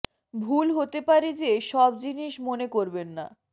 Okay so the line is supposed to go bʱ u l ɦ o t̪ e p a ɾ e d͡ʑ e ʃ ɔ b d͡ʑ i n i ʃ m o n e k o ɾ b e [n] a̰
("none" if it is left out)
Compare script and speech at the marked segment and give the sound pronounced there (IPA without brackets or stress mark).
nː